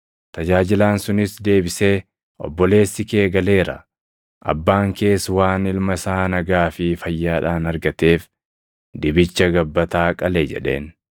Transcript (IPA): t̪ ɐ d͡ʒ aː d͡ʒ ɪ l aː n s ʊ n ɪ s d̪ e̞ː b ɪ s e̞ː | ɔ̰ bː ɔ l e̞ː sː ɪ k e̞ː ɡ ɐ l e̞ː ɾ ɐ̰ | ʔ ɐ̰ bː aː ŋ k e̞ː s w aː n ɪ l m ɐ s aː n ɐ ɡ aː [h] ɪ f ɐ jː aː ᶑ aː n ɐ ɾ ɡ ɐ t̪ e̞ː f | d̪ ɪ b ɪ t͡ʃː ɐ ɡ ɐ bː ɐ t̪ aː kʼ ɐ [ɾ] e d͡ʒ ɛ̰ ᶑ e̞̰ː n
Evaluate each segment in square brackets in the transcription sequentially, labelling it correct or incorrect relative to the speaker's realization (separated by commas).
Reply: incorrect, incorrect